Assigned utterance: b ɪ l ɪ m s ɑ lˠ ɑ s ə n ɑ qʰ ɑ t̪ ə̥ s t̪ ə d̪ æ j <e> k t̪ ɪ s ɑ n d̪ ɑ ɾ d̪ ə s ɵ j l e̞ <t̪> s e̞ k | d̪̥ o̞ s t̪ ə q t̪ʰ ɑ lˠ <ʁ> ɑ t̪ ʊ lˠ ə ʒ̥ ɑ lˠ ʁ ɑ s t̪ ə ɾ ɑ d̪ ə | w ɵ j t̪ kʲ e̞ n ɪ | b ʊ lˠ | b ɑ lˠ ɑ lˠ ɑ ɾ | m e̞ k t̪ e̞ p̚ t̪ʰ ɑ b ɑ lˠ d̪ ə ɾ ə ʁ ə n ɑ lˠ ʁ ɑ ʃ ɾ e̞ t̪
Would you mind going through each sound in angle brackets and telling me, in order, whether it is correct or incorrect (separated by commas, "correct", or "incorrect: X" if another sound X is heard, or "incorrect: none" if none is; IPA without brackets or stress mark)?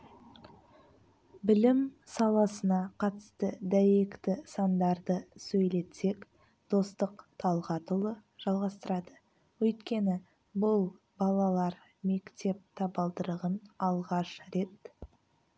correct, correct, correct